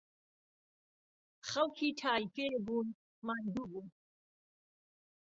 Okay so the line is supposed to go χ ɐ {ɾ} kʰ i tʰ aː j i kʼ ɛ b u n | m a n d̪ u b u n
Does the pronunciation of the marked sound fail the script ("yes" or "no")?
yes